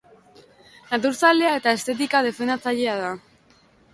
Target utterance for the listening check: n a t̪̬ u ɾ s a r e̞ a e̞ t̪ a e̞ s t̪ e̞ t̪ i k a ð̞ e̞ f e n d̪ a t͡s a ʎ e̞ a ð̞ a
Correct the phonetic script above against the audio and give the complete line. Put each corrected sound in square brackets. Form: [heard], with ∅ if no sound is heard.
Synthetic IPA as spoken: n a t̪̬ u ɾ s a [l] e̞ a e̞ t̪ a e̞ s t̪ e̞ t̪ i k a ð̞ e̞ f e n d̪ a t͡s a ʎ e̞ a ð̞ a